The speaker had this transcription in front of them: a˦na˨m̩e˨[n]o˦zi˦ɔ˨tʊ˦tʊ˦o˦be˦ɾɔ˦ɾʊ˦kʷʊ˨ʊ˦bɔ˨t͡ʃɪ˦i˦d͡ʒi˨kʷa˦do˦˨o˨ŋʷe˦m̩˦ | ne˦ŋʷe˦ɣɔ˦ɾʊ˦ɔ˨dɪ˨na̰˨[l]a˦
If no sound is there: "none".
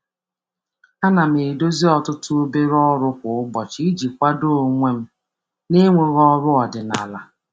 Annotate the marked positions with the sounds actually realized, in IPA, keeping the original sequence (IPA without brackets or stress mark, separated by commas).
d, l